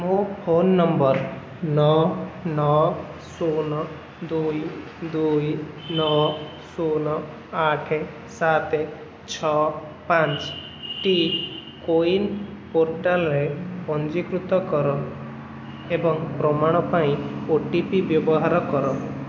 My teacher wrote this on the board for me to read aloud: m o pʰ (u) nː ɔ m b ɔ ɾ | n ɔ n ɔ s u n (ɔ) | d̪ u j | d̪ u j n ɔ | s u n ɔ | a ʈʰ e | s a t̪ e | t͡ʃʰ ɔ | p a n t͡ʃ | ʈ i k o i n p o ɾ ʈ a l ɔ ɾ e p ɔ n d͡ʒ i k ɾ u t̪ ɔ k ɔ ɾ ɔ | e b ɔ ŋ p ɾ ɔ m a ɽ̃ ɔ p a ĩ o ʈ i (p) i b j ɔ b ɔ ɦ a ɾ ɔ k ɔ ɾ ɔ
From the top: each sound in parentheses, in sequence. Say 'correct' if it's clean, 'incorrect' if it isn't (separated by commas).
incorrect, correct, correct